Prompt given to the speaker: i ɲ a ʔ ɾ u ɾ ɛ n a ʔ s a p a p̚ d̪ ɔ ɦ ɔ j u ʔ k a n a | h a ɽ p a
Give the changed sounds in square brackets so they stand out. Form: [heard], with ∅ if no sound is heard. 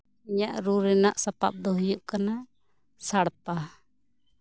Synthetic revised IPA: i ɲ a ʔ ɾ u ɾ ɛ n a ʔ s a p a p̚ d̪ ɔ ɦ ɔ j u ʔ k a n a | [s] a ɽ p a